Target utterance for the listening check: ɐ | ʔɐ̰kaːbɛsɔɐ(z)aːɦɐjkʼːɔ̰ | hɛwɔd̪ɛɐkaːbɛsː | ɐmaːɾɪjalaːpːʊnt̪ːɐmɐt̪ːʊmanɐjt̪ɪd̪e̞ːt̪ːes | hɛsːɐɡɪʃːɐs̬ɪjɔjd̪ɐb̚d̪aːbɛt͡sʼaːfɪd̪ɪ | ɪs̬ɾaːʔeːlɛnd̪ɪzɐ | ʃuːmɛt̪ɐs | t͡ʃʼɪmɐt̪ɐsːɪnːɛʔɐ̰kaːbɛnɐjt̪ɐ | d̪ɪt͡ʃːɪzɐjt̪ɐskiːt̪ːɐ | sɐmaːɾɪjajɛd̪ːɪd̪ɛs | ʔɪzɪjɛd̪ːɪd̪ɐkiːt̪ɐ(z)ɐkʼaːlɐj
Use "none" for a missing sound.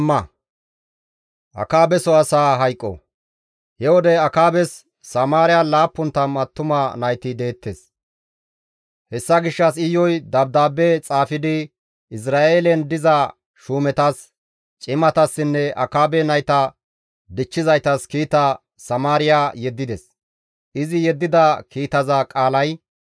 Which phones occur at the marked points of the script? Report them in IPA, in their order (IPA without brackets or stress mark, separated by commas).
s, z